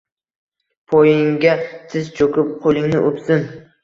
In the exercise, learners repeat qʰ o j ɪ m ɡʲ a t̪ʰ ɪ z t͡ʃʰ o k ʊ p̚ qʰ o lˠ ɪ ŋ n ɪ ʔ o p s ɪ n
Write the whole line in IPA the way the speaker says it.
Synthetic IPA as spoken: pʰ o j ɪ ŋ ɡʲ a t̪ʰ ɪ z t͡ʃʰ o k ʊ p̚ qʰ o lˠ ɪ ŋ n ɪ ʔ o p s ɪ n